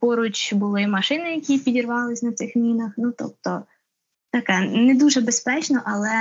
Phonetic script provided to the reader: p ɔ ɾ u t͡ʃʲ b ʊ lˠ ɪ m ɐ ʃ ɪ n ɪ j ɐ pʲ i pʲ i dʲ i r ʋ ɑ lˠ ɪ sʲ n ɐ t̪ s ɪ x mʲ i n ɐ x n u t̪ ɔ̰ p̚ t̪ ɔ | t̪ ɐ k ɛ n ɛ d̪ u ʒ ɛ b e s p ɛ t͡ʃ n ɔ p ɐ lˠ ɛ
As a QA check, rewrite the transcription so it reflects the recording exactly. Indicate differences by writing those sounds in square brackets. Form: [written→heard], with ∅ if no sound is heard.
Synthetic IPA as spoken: p ɔ ɾ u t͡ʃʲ b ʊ lˠ ɪ m ɐ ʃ ɪ n ɪ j ɐ [pʲ→kʲ] i pʲ i dʲ i r ʋ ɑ lˠ ɪ sʲ n ɐ t̪ s ɪ x mʲ i n ɐ x n u t̪ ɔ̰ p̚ t̪ ɔ | t̪ ɐ k ɛ n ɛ d̪ u ʒ ɛ b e s p ɛ t͡ʃ n ɔ [p→ʔ] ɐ lˠ ɛ